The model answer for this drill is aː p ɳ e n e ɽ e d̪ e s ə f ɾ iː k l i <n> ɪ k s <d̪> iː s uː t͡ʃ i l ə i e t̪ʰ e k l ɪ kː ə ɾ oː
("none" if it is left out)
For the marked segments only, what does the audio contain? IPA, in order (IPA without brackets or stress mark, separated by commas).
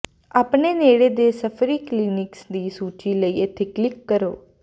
n, d̪